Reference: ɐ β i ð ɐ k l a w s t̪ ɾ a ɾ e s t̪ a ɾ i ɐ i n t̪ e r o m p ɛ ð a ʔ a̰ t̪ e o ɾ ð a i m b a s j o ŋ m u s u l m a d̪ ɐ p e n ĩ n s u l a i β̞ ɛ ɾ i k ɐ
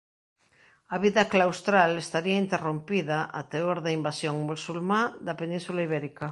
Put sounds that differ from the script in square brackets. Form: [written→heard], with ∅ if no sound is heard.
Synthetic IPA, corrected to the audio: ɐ β i ð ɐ k l a w s t̪ ɾ a [ɾ→l] e s t̪ a ɾ i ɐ i n t̪ e r o m p [ɛ→i] ð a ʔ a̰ t̪ e o ɾ ð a i m b a s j o ŋ m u s u l m a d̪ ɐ p e n ĩ n s u l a i β̞ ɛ ɾ i k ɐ